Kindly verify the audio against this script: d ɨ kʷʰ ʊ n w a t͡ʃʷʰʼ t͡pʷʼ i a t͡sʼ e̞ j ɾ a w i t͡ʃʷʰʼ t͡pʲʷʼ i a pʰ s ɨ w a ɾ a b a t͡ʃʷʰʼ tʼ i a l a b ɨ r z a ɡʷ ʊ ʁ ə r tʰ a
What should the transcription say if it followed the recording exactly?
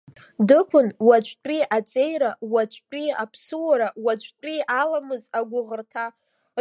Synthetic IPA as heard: d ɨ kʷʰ ʊ n w a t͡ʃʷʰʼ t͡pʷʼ i a t͡sʼ e̞ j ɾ a w a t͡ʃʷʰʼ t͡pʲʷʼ i a pʰ s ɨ w a ɾ a w a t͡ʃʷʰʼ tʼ i a l a m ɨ z a ɡʷ ʊ ʁ ə r tʰ a